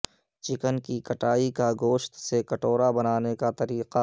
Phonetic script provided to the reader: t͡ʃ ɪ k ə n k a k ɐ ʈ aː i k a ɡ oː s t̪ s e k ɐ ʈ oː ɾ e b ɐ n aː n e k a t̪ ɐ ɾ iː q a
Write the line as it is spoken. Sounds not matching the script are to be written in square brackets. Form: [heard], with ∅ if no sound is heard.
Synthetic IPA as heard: t͡ʃ ɪ k ə n k [i] k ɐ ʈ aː i k a ɡ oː [ʃ] t̪ s e k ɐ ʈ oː ɾ [a] b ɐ n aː n e k a t̪ ɐ ɾ iː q a